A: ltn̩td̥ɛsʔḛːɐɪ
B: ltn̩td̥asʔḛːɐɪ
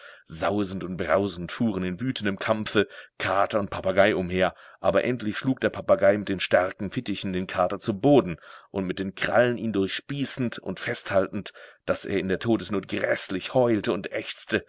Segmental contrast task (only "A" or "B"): B